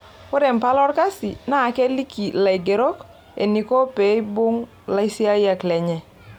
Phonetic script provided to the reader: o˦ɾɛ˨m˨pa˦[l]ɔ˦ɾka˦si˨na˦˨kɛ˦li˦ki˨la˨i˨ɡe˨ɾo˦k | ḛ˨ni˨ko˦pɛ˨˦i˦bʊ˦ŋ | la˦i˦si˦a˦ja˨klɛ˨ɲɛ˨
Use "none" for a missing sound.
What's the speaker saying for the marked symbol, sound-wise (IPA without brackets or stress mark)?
l